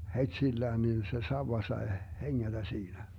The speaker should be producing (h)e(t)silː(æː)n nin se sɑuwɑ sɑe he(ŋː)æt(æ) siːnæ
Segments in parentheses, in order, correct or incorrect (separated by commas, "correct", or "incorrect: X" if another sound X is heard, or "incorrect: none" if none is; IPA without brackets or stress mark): correct, correct, correct, correct, correct